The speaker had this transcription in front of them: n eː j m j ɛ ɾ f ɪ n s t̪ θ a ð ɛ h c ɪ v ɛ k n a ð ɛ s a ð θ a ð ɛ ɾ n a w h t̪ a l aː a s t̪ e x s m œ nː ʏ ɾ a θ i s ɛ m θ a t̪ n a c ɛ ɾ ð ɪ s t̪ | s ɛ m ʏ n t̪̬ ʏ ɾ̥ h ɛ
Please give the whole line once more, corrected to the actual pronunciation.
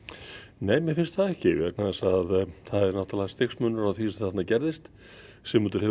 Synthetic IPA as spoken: n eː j m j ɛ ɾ f ɪ n s t̪ θ a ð ɛ h c ɪ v ɛ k n a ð ɛ s a ð θ a ð ɛ ɾ n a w h t̪ a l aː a s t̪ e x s m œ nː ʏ ɾ a θ i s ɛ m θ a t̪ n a c ɛ ɾ ð ɪ s t̪ | s ɛ m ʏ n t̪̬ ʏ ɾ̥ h ɛ